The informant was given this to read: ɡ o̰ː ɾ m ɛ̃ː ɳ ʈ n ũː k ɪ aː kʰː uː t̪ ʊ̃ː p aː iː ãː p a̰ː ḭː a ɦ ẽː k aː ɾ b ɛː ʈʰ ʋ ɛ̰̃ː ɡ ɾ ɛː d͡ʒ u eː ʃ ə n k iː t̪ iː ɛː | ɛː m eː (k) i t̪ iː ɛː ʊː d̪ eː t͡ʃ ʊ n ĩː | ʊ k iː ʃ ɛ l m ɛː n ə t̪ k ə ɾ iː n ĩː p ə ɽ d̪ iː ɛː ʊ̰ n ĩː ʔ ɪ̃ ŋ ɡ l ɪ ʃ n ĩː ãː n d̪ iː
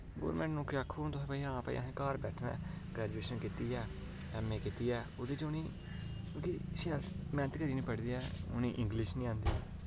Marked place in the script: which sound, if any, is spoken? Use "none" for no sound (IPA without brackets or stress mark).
k